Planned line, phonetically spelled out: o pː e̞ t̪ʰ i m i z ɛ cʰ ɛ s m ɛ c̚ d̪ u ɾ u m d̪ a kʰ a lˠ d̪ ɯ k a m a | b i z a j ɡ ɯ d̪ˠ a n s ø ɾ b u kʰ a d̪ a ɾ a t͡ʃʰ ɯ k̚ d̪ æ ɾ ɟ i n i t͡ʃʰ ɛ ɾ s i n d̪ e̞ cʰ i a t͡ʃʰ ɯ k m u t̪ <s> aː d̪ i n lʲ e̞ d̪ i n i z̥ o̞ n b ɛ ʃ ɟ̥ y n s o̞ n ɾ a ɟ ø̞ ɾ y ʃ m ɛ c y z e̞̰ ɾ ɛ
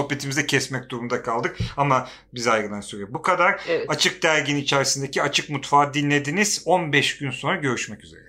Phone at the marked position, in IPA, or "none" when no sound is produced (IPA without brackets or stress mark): f